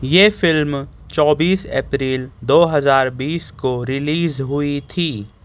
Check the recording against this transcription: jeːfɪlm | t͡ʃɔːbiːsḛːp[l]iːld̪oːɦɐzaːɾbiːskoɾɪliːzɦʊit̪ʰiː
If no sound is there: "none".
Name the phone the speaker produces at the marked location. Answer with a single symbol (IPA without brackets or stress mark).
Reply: ɾ